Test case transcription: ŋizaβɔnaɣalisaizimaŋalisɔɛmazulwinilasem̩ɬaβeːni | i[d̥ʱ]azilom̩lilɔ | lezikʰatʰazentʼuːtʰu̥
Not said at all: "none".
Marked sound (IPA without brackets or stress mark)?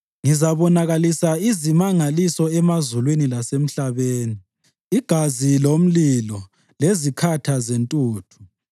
ɡ̥ʱ